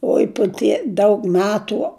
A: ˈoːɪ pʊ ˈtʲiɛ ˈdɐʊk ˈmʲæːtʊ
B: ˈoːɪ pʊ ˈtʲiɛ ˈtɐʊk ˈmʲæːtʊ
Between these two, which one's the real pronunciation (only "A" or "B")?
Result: A